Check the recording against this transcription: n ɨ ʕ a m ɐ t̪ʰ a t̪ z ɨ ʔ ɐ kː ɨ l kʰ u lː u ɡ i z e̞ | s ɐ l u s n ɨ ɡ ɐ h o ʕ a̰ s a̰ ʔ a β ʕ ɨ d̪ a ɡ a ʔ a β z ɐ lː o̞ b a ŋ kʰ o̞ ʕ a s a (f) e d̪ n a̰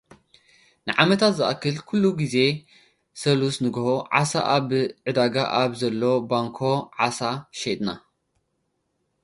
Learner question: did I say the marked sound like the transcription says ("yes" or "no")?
no